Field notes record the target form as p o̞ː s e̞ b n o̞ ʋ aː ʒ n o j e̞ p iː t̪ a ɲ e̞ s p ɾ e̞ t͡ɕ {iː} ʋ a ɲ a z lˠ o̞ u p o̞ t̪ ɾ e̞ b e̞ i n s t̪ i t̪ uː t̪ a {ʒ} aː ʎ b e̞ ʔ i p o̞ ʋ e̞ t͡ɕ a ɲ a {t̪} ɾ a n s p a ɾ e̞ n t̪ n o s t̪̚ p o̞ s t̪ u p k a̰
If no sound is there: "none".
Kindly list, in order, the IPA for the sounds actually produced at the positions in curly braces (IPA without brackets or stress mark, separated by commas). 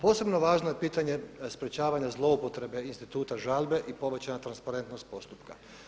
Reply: aː, ʒ, t̪